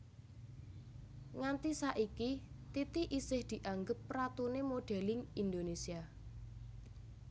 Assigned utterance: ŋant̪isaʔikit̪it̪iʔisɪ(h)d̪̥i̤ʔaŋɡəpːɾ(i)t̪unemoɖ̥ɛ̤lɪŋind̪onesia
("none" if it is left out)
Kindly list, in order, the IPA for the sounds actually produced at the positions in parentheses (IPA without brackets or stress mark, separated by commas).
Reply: h, a